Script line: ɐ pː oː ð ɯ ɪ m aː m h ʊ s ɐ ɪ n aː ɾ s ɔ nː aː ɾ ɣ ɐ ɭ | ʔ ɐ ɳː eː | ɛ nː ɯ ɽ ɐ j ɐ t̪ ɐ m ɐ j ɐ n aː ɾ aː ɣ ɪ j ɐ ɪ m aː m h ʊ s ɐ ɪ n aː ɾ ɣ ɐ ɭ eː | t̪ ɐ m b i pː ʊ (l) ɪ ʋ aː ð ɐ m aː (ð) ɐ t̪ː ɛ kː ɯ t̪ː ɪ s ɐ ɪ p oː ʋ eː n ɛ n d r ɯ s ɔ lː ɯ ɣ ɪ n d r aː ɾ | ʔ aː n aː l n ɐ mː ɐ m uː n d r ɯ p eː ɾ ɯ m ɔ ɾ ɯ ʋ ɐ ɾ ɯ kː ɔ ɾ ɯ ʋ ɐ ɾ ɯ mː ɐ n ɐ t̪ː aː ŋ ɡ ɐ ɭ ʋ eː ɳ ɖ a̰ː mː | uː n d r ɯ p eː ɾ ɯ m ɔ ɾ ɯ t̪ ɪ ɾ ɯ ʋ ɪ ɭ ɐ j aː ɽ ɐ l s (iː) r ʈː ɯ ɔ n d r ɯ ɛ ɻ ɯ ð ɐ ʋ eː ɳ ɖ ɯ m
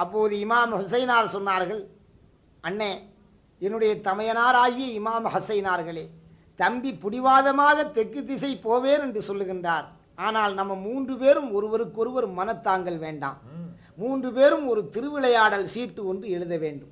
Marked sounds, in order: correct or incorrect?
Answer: incorrect, incorrect, correct

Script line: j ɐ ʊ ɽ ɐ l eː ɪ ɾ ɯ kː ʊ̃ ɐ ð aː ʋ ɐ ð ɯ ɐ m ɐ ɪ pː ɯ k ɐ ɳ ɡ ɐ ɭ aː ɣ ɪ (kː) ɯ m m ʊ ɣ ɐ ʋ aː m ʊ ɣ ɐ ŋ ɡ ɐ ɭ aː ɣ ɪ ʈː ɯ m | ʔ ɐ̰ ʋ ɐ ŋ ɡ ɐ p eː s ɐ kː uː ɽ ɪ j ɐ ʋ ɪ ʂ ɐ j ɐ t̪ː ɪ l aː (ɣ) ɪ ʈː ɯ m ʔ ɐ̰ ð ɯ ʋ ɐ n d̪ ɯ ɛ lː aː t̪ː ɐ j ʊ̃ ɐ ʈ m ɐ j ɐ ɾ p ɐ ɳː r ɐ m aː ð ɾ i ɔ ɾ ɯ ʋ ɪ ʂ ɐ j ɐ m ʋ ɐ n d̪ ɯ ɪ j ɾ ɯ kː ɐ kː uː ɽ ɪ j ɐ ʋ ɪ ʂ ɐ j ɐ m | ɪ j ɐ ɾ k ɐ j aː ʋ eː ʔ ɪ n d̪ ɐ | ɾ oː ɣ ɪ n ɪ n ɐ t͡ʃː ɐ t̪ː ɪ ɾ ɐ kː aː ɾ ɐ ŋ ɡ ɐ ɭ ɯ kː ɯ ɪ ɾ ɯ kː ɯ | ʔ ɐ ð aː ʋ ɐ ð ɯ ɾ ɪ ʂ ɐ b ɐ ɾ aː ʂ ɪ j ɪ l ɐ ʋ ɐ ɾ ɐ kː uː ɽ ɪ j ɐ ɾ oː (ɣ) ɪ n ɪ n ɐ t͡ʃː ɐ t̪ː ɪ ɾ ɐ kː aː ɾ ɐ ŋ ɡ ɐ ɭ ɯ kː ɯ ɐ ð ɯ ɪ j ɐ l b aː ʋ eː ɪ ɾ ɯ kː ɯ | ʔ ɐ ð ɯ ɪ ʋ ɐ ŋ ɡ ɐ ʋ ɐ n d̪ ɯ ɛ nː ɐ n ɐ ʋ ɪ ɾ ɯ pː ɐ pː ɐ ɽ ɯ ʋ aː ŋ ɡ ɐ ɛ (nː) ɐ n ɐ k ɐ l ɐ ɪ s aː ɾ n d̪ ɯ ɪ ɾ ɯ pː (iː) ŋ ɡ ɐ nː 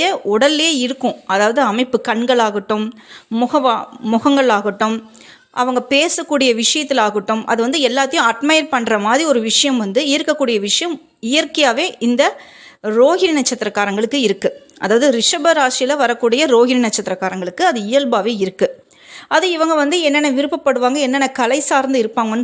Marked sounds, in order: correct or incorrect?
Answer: incorrect, correct, correct, correct, incorrect

